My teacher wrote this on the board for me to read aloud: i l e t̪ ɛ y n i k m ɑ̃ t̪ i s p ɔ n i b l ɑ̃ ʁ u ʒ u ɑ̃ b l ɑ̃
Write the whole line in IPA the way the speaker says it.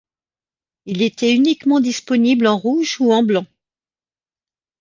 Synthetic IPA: i l e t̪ ɛ y n i k m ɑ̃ d̪ i s p ɔ n i b l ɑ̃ ʁ u ʒ u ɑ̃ b l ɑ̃